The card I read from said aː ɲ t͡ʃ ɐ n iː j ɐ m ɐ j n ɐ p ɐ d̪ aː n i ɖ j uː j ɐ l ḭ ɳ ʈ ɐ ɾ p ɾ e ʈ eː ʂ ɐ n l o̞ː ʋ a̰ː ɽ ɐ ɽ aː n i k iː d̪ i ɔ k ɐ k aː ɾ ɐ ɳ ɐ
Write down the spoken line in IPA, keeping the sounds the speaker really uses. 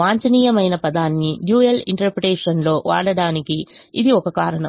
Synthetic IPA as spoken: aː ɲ t͡ʃ ɐ n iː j ɐ m ɐ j n ɐ p ɐ d̪ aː nː i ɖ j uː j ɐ l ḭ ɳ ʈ ɐ ɾ p ɾ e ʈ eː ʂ ɐ n l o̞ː ʋ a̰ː ɽ ɐ ɽ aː n i k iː d̪ i ɔ k ɐ k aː ɾ ɐ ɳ ɐ